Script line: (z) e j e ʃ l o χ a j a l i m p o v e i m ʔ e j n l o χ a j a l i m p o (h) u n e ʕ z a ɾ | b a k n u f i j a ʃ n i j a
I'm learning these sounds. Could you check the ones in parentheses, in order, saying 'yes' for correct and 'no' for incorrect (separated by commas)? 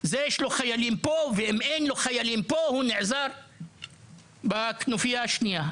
yes, yes